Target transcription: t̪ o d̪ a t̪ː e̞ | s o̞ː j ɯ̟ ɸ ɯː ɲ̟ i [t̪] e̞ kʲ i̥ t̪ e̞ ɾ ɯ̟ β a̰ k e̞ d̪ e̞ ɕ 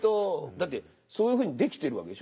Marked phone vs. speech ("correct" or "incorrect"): incorrect